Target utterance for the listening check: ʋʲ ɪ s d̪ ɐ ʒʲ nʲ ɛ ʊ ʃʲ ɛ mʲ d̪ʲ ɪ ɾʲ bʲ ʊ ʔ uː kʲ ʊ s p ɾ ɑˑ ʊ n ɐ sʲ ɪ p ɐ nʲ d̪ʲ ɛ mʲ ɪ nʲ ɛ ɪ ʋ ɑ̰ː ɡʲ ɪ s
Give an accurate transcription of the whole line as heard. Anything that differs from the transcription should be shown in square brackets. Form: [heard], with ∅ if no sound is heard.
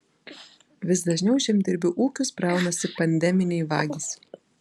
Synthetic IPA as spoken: ʋʲ ɪ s d̪ ɐ ʒʲ nʲ ɛ ʊ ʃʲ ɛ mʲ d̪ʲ ɪ ɾʲ bʲ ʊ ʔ uː kʲ ʊ s p ɾ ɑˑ ʊ n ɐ sʲ ɪ p ɐ nʲ d̪ʲ ɛ mʲ ɪ nʲ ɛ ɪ ʋ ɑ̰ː ɡʲ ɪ s